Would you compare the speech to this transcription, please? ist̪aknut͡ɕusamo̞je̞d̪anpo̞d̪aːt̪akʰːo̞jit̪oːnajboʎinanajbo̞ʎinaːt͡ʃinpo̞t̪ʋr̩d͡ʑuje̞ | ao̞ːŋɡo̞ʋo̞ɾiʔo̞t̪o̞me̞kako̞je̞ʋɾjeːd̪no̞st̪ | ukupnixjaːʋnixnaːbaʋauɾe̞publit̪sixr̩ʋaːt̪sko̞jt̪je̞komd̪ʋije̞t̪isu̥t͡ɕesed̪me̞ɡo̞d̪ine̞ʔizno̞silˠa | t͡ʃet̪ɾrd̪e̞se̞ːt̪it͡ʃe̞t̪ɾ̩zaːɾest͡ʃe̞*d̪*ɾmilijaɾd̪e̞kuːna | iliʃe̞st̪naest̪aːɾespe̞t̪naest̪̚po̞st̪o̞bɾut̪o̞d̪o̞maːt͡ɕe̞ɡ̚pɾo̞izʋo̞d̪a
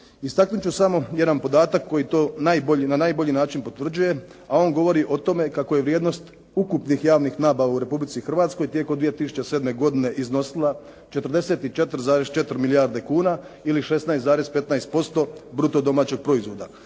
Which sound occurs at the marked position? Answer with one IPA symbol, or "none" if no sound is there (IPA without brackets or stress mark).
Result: t̪